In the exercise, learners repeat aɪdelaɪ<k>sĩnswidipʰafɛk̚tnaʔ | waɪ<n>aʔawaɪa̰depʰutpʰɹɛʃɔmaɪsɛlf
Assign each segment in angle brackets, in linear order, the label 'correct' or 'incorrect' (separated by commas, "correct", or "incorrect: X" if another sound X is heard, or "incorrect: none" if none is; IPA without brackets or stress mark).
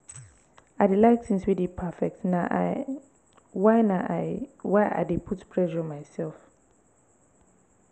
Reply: correct, correct